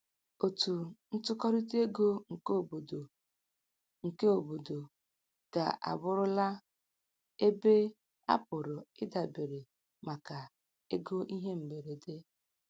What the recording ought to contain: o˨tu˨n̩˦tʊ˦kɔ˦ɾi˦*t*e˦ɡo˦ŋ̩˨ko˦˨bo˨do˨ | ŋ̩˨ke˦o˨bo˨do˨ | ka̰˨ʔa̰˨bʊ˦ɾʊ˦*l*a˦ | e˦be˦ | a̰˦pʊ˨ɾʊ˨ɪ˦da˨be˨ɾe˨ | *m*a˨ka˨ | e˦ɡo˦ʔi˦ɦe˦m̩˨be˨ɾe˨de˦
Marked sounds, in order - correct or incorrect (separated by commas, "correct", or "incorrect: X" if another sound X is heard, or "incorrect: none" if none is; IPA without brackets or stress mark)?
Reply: correct, correct, correct